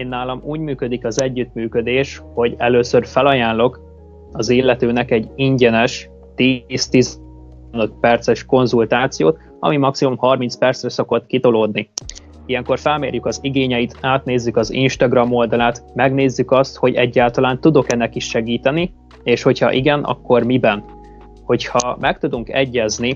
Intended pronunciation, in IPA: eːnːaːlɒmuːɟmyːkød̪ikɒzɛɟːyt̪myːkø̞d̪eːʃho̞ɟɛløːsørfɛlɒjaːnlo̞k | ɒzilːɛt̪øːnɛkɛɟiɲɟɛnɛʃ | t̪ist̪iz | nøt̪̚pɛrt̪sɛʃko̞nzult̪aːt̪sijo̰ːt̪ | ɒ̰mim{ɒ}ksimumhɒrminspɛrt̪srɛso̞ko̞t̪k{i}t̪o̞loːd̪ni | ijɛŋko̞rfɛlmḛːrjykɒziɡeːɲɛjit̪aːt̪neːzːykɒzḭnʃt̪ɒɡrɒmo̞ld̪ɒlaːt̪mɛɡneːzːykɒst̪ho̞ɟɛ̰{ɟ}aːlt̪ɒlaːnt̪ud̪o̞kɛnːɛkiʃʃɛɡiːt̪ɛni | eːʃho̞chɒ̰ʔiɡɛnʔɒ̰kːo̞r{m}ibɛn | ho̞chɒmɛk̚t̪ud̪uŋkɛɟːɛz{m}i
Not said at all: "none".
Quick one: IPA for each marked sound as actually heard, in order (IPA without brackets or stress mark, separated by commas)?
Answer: ɒ, i, ɟː, m, n